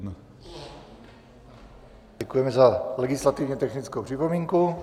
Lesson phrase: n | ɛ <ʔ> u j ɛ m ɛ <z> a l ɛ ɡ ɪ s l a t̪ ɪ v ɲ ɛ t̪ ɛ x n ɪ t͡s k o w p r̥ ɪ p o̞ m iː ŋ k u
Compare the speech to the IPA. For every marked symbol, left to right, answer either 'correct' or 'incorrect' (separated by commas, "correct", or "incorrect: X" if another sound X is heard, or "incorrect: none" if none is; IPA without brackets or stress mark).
incorrect: k, correct